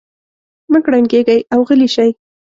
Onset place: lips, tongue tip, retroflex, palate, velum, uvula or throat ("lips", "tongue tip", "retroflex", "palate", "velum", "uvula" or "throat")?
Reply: lips